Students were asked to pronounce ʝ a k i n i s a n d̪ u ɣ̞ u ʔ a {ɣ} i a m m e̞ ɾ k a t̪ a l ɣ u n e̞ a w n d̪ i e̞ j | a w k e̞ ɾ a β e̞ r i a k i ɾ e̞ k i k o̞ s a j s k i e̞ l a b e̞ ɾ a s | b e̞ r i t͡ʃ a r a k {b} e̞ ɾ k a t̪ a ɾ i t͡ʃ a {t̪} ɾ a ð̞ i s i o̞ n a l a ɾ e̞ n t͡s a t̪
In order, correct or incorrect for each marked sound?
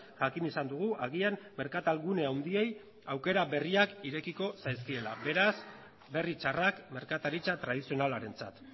correct, incorrect, correct

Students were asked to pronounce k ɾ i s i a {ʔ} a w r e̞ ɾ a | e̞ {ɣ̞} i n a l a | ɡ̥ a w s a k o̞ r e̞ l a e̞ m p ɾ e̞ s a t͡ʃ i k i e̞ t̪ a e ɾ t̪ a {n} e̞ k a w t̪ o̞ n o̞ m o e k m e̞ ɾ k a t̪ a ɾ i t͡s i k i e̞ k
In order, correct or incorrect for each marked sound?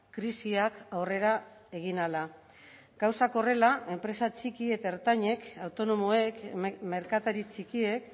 incorrect, correct, incorrect

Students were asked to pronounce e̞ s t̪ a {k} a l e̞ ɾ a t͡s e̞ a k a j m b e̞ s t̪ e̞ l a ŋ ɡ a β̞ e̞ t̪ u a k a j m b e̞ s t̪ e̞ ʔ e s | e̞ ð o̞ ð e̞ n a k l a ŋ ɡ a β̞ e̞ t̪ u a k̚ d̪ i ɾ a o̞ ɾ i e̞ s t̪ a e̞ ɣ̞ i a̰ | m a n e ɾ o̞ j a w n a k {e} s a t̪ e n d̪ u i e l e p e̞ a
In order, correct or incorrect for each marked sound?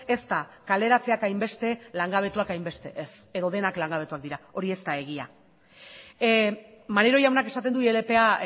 correct, correct

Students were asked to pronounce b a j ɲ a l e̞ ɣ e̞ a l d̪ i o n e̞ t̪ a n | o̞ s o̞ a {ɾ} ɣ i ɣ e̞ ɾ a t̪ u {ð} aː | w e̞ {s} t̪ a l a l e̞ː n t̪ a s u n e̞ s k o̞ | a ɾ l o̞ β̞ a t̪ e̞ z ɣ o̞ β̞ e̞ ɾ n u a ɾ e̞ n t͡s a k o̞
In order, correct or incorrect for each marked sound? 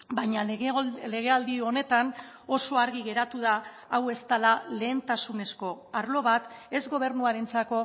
correct, correct, correct

